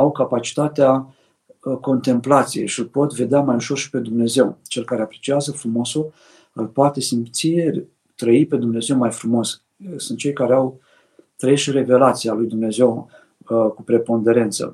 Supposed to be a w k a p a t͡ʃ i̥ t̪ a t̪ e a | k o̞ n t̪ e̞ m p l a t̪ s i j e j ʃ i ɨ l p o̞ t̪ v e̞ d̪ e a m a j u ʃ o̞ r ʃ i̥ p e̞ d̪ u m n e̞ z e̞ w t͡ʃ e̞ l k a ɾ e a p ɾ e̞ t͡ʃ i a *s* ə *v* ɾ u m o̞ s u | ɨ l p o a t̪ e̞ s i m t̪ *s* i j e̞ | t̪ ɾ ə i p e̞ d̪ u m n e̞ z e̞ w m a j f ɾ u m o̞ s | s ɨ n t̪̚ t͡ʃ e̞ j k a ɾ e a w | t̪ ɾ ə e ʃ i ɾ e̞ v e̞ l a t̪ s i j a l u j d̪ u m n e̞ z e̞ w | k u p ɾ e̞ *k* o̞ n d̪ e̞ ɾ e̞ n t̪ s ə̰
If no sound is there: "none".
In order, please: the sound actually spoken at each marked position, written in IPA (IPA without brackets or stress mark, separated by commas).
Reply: z, f, s, p